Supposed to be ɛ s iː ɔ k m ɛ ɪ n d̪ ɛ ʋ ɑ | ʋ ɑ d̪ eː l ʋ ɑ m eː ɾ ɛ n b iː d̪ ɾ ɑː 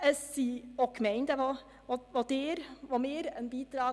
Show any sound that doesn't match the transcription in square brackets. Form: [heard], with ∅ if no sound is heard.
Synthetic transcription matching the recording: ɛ s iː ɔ k m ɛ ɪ n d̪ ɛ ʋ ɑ | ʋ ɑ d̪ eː [ɾ] ʋ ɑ m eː ɾ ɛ n b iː d̪ ɾ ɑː